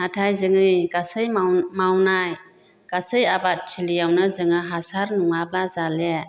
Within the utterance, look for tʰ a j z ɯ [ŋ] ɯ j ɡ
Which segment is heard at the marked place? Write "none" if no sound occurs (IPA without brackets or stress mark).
ŋ